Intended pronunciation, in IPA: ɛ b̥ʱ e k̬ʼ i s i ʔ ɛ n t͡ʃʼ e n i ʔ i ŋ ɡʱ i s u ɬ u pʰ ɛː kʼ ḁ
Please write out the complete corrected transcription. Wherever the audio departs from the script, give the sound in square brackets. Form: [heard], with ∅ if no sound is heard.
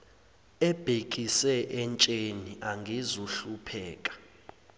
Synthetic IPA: ɛ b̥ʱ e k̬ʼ i s [ɛ] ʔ ɛ n t͡ʃʼ e n i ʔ [a] ŋ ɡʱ i [z] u ɬ u pʰ ɛː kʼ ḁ